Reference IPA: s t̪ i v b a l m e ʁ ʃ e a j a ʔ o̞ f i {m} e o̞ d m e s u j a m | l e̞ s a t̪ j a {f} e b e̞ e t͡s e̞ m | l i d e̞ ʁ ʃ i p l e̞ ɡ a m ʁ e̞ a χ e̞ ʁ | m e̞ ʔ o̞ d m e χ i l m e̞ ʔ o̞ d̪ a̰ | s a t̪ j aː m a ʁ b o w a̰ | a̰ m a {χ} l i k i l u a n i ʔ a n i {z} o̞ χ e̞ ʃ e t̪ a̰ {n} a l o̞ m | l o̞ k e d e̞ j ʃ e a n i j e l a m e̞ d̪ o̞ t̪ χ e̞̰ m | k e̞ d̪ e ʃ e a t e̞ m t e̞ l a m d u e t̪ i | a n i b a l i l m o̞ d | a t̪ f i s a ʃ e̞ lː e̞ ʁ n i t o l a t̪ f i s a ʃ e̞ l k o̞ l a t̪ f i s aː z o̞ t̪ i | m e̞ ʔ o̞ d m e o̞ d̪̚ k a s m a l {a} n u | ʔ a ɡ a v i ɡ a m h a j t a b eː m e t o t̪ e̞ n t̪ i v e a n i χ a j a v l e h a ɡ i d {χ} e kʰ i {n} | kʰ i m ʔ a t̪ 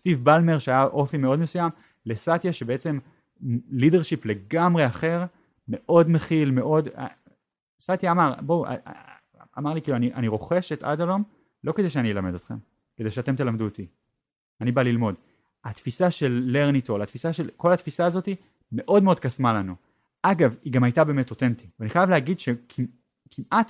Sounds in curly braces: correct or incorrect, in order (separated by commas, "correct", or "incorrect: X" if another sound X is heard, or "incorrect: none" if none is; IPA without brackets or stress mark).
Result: correct, incorrect: ʃ, incorrect: ʁ, incorrect: ʁ, incorrect: d, correct, incorrect: ʃ, incorrect: m